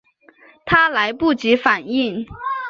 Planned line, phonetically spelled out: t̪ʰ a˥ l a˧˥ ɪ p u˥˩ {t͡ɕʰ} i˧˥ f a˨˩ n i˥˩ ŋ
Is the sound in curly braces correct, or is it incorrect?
incorrect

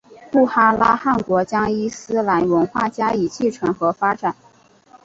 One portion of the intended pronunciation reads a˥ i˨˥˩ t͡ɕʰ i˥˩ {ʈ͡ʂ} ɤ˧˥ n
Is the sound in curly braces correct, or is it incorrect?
incorrect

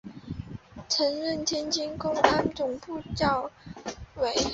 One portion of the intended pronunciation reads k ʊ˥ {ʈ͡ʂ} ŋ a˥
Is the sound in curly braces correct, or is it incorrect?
incorrect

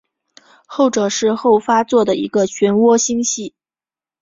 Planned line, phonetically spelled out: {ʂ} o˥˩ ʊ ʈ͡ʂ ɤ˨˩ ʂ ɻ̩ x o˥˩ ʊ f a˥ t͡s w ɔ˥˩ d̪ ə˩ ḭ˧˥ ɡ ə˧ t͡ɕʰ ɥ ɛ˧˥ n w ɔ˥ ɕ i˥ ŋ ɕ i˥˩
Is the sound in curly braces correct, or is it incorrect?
incorrect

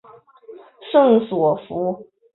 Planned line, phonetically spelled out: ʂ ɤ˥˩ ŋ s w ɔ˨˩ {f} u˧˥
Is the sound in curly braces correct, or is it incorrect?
correct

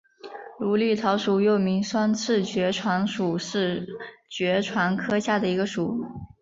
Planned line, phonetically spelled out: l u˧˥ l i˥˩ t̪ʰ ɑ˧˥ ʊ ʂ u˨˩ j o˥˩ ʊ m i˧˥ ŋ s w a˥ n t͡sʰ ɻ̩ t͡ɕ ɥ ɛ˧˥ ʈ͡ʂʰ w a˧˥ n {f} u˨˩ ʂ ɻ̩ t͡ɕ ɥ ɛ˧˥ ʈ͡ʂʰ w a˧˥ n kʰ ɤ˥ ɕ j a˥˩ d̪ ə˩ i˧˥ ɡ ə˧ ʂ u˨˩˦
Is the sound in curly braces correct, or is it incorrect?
incorrect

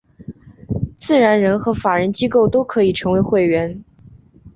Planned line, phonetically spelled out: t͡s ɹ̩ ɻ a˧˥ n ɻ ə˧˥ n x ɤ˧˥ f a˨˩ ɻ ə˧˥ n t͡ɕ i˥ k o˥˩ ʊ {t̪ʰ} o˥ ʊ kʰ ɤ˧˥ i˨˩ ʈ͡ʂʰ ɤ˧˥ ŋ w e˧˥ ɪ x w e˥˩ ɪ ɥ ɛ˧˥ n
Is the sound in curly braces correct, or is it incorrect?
incorrect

